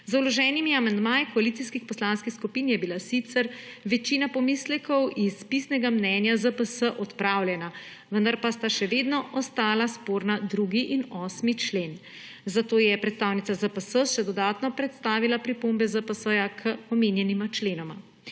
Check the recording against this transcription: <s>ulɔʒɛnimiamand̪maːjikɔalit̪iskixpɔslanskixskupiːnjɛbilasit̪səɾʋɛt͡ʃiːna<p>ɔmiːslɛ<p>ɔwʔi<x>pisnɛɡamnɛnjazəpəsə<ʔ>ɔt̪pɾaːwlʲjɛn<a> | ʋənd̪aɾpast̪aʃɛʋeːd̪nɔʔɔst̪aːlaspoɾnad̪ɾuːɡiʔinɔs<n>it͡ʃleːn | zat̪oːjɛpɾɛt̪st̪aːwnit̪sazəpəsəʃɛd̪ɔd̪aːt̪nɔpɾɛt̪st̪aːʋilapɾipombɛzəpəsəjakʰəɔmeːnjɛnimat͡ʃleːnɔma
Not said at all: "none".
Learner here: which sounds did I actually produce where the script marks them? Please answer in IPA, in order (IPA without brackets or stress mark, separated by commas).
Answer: z, p, k, s, ʔ, a, m